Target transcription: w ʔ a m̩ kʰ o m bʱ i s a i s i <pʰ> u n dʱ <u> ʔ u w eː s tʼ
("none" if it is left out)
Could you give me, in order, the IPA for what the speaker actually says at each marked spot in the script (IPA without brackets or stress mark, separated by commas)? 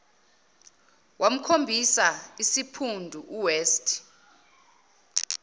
pʰ, u